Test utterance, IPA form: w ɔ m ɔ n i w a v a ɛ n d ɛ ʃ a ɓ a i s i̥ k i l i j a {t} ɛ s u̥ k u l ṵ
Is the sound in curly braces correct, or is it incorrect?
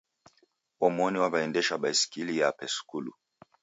incorrect